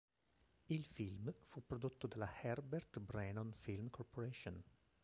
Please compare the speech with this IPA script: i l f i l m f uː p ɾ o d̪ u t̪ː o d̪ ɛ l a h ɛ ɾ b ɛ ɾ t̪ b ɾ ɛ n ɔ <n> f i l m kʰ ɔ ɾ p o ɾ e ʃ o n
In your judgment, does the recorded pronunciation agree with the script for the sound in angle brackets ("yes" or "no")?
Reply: yes